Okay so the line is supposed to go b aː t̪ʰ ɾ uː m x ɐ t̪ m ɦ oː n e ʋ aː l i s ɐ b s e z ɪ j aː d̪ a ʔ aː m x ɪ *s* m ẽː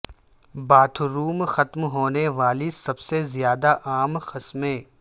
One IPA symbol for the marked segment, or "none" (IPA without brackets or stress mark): s